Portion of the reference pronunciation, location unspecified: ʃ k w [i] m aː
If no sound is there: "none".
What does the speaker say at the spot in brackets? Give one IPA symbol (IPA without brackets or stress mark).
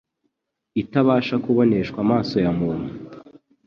a